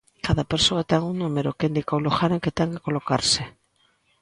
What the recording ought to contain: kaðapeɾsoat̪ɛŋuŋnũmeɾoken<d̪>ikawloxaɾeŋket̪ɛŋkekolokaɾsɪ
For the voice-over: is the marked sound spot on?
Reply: yes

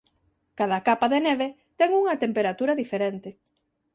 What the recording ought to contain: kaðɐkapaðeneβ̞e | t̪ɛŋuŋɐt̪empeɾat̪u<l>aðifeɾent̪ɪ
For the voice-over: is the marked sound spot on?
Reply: no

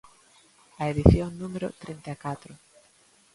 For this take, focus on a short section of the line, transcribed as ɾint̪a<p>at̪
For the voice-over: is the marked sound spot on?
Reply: no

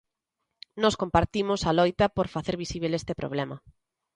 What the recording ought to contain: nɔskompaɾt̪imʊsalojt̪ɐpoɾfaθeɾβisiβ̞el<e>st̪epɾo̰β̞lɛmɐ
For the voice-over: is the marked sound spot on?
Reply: yes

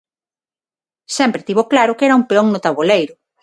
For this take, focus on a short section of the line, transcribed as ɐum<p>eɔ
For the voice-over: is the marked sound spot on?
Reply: yes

